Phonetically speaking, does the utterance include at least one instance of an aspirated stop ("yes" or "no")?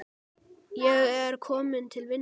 yes